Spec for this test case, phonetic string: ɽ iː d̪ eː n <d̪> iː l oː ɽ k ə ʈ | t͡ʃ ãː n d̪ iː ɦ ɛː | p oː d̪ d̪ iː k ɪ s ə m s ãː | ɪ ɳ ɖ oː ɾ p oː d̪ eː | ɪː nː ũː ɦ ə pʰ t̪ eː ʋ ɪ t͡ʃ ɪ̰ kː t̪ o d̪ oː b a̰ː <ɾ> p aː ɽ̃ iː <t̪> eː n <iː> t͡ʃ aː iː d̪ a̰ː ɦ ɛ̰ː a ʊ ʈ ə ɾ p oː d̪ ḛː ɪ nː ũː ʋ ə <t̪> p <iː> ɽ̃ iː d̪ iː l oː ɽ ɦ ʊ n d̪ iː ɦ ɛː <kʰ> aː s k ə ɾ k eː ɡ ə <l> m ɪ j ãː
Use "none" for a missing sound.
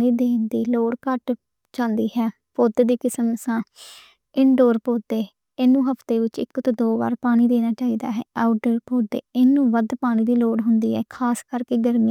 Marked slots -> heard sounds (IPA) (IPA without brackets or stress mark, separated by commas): d̪, ɾ, d̪, aː, d̪, aː, kʰ, ɾ